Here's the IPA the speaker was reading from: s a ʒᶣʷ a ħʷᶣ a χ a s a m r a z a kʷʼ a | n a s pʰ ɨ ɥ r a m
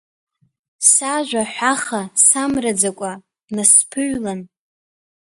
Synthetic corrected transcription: s a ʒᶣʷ a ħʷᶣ a χ a s a m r a d͡z a kʷʼ a | n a s pʰ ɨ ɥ l a n